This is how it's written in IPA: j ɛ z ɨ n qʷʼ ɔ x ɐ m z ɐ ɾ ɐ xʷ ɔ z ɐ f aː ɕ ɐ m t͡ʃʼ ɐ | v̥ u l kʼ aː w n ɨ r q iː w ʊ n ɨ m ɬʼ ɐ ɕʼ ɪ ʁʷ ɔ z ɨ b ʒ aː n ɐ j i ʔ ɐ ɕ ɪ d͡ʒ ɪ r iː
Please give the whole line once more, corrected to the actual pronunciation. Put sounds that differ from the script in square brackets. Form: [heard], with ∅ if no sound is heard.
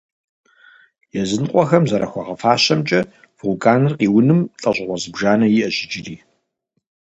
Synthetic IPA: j ɛ z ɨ n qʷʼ ɔ x ɐ m z ɐ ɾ ɐ xʷ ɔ [ʁ] ɐ f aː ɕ ɐ m t͡ʃʼ ɐ | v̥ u l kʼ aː [∅] n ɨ r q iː w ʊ n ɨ m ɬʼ ɐ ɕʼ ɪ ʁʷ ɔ z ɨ b ʒ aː n ɐ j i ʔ ɐ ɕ ɪ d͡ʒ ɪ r iː